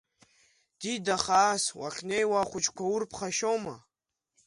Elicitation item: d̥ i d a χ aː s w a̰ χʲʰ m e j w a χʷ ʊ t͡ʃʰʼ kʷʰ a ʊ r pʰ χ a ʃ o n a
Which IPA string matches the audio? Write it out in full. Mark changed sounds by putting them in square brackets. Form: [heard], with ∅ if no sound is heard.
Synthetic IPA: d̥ i d a χ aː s w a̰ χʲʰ [n] e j w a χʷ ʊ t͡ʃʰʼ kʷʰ a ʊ r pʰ χ a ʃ o [m] a